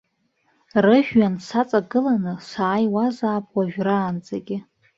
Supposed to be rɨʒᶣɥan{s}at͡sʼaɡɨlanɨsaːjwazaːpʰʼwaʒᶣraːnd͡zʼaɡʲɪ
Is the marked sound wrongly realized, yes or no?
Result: no